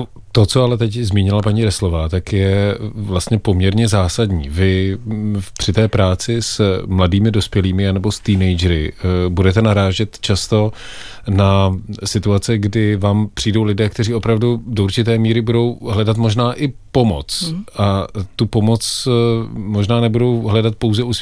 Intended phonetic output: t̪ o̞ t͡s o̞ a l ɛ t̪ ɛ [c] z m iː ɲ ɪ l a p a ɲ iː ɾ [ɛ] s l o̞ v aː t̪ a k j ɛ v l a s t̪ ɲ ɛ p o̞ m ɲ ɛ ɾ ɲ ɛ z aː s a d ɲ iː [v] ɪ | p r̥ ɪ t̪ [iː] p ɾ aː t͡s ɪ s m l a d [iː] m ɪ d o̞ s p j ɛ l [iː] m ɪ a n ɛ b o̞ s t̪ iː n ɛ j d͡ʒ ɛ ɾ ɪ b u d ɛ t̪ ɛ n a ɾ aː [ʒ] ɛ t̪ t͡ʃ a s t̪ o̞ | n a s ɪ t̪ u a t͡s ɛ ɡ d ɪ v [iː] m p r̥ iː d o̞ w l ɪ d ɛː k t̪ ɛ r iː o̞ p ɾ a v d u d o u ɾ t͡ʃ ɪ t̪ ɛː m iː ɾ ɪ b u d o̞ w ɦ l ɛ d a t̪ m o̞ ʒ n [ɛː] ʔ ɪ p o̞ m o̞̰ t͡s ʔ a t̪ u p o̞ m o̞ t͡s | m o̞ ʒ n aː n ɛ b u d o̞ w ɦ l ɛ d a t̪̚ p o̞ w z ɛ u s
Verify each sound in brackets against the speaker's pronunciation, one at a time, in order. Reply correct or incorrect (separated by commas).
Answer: correct, correct, correct, incorrect, correct, correct, correct, incorrect, incorrect